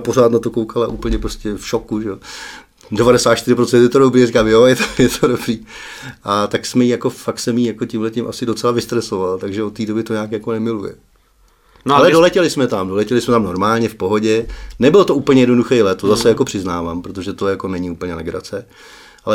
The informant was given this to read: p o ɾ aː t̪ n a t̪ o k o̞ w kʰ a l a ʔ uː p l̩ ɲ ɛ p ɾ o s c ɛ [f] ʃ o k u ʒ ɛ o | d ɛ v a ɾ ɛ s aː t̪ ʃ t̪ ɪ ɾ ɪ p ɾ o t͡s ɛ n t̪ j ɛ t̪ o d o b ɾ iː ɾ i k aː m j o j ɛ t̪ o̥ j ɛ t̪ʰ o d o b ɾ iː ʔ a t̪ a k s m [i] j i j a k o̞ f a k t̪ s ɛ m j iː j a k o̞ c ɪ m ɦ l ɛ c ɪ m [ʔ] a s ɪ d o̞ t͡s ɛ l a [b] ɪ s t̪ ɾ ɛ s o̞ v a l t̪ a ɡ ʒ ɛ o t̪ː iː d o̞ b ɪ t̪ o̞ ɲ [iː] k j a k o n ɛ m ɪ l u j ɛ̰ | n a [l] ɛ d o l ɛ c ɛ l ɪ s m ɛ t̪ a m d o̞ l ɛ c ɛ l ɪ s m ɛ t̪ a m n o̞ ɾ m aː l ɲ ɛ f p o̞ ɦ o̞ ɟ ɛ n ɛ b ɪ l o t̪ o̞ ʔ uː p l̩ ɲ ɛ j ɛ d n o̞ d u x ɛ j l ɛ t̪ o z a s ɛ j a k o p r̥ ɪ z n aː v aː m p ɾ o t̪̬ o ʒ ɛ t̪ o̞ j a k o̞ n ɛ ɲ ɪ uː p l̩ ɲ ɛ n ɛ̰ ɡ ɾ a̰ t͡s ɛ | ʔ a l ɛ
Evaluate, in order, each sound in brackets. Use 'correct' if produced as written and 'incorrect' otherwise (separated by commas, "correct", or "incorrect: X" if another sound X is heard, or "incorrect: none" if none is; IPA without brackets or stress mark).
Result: correct, incorrect: ɛ, correct, incorrect: v, incorrect: aː, correct